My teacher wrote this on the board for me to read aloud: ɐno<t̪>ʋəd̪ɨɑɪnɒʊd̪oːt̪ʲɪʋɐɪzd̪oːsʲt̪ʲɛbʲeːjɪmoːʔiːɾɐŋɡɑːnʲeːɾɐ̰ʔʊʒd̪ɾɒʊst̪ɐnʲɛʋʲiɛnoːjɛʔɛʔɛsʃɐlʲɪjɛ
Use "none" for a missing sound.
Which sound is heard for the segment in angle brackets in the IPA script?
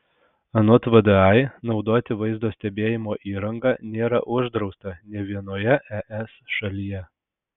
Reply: t̪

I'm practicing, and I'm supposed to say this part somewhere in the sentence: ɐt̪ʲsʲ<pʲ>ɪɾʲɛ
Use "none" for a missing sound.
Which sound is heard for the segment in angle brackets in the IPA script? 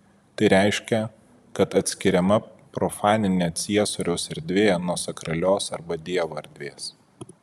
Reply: kʲ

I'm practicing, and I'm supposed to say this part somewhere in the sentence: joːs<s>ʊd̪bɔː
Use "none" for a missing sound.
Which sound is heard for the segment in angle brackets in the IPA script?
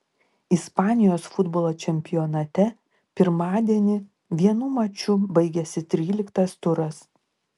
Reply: f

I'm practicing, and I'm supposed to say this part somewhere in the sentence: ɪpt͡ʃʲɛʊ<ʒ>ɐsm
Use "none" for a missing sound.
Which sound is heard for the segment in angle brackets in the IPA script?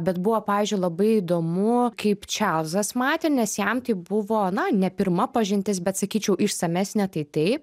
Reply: z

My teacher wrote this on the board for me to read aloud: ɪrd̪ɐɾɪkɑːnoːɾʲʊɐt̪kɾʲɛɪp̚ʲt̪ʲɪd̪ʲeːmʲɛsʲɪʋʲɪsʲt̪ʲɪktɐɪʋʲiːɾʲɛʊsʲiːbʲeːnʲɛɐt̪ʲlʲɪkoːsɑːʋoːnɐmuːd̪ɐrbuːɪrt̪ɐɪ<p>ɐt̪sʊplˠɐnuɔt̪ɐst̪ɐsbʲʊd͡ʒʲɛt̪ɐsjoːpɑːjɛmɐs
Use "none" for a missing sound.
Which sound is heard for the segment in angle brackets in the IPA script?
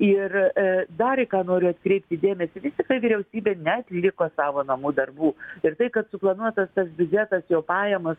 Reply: k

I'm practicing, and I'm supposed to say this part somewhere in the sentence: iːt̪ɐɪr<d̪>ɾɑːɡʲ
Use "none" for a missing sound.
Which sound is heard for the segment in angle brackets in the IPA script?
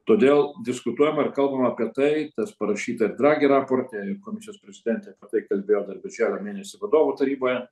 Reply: d̪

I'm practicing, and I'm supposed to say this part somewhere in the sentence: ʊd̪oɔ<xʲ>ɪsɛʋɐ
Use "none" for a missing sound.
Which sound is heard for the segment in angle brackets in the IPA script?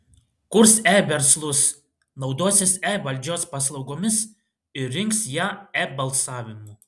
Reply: sʲ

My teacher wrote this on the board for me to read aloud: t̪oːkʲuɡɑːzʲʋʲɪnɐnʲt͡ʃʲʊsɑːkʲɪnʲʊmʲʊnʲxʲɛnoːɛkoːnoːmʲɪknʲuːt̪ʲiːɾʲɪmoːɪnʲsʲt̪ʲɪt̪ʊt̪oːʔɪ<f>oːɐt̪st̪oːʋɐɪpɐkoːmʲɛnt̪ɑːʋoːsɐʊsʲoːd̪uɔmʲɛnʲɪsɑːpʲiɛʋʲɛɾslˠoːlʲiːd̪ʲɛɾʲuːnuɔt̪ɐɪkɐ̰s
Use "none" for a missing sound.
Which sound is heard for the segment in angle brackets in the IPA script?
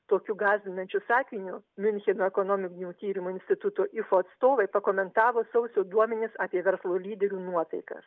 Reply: f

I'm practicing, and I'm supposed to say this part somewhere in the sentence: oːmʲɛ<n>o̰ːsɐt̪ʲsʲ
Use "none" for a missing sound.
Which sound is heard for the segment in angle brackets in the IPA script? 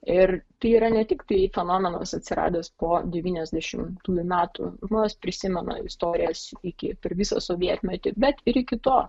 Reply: n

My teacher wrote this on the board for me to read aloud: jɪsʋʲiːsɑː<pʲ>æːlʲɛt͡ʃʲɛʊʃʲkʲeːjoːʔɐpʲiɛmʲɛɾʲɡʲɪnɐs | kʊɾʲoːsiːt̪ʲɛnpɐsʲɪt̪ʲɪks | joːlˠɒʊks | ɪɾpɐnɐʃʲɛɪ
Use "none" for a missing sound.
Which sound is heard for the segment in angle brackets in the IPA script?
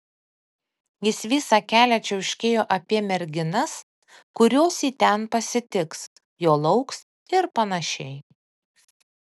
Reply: kʲ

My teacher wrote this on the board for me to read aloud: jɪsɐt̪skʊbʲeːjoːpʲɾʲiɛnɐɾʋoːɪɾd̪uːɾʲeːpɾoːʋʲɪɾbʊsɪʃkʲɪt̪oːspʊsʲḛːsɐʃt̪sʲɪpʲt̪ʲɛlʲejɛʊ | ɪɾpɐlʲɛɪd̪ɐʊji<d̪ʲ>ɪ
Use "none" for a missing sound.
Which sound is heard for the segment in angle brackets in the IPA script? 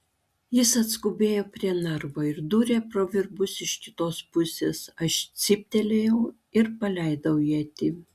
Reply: t̪ʲ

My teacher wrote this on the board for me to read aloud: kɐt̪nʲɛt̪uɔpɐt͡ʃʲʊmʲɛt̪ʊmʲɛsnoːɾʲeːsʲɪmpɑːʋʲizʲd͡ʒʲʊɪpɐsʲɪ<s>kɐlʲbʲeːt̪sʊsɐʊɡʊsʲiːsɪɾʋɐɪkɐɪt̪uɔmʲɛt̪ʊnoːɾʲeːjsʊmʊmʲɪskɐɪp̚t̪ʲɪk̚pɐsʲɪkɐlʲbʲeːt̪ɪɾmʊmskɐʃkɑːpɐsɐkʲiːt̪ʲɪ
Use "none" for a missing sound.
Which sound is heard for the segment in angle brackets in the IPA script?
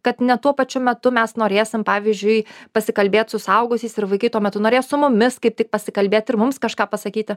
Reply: none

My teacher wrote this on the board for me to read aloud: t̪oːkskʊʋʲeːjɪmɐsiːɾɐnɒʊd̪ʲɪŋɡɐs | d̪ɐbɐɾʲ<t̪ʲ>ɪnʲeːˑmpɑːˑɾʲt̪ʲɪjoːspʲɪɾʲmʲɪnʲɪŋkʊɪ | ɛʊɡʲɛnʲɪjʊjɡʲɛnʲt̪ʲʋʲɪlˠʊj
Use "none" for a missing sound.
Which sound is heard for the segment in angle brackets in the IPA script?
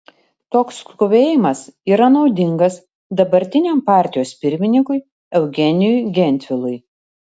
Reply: t̪ʲ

